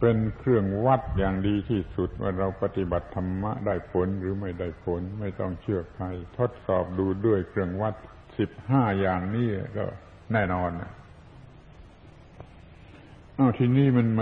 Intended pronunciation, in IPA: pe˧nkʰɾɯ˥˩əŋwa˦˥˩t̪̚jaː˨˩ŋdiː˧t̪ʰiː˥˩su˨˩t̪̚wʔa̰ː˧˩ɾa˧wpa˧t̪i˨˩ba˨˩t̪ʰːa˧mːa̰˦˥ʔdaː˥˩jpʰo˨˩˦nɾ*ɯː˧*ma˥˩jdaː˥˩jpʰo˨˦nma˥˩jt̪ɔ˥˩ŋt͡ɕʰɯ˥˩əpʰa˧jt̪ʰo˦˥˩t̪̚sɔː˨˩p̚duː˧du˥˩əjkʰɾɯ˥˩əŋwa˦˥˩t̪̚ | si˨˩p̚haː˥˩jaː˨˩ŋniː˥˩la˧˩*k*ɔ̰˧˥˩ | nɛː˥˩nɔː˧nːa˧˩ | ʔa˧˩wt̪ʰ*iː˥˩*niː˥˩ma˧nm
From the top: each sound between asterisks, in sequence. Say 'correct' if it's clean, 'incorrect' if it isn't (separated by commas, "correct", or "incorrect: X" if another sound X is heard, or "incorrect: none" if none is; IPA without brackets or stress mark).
incorrect: ɯː˩˦, correct, incorrect: iː˧